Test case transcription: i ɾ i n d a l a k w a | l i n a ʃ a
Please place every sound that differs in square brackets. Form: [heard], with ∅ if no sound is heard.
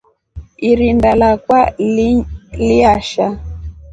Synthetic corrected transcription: i ɾ i n d a l a k w a | l i [∅] a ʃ a